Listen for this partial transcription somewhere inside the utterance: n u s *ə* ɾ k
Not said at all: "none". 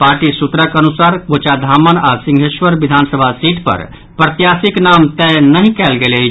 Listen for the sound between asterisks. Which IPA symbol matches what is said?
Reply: a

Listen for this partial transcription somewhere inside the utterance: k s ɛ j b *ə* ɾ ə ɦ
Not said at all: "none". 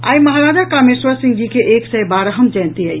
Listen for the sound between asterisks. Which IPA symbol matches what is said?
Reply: a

